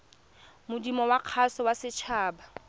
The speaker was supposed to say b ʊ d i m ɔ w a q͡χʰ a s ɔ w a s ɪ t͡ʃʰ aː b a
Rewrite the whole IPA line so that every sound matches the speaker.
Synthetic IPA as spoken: m ʊ d i m ɔ w a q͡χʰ a s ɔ w a s ɪ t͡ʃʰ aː b a